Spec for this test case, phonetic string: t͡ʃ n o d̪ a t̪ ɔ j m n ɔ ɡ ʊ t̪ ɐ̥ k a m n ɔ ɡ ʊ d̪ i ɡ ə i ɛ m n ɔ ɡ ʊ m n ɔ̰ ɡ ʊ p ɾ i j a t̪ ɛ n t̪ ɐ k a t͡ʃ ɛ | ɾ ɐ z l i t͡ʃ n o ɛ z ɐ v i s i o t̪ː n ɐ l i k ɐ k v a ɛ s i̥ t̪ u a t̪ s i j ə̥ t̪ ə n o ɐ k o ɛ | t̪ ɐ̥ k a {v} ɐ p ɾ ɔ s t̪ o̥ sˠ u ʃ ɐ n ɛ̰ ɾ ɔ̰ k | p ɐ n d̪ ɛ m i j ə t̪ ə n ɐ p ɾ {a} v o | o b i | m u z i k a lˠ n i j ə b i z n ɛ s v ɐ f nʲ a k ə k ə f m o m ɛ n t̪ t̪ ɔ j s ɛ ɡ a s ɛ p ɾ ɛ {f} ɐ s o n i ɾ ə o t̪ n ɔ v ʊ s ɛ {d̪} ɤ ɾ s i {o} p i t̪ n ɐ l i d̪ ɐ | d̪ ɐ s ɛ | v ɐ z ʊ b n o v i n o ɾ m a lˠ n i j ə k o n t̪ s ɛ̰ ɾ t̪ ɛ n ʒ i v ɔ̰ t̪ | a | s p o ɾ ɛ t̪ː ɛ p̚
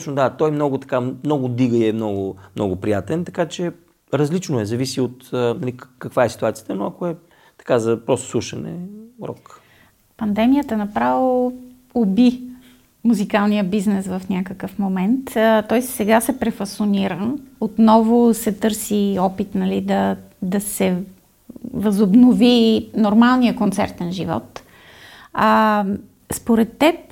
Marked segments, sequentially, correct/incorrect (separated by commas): incorrect, correct, correct, incorrect, incorrect